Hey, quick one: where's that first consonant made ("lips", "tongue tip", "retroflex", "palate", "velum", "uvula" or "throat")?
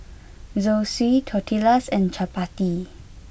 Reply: tongue tip